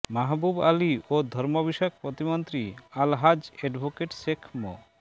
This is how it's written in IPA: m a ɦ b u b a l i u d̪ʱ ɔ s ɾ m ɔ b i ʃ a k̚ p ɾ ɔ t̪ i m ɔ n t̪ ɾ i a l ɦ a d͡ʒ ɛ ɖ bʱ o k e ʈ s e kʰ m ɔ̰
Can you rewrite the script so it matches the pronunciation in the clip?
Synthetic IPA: m a ɦ b u b a l i o d̪ʱ ɔ ɾ m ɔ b i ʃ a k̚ p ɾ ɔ t̪ i m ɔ n t̪ ɾ i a l ɦ a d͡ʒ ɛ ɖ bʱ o k e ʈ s e kʰ m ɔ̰